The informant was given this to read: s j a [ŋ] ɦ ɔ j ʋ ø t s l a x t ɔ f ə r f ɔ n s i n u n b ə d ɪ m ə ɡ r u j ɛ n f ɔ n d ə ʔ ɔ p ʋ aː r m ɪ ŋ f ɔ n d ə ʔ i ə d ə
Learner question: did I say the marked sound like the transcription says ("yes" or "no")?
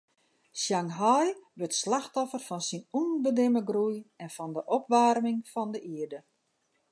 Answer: yes